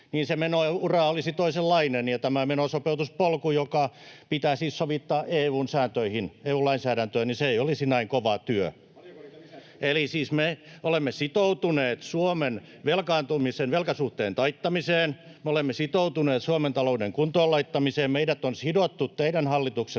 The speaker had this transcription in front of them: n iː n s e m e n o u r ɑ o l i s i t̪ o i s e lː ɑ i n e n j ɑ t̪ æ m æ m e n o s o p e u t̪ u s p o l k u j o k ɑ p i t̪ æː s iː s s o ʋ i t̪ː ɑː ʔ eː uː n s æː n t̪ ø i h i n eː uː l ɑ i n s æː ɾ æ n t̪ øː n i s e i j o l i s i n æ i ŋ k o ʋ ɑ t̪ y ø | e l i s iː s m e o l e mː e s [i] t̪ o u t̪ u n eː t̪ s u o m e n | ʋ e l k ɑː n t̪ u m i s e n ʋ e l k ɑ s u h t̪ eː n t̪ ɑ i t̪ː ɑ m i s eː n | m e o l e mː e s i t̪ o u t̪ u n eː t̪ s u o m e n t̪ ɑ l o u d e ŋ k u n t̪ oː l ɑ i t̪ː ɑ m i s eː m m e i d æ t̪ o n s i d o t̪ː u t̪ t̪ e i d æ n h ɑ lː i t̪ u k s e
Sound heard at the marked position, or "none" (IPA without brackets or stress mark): i